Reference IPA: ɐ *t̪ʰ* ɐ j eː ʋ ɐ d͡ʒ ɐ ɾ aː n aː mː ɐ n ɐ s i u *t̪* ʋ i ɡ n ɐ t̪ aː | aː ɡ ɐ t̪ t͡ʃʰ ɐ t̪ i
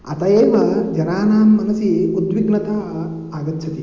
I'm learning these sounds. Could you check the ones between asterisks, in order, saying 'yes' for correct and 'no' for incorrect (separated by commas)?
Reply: no, no